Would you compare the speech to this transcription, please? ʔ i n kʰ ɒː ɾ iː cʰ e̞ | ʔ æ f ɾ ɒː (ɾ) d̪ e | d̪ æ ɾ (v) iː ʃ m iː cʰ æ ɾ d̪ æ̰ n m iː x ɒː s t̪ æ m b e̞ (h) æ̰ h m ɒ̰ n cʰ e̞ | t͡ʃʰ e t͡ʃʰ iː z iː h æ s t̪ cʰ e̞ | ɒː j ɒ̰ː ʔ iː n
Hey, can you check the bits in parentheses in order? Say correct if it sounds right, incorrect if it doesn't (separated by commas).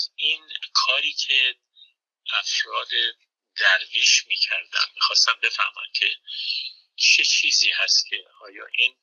incorrect, correct, incorrect